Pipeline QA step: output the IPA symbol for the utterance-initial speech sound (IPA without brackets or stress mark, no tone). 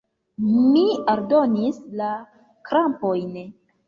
m